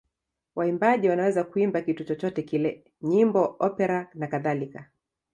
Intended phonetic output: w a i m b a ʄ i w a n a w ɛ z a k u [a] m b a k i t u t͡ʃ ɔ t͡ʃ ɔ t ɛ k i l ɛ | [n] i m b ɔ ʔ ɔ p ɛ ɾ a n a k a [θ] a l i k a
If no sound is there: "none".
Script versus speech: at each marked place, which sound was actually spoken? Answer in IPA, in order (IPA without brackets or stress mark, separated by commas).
i, ɲ, ð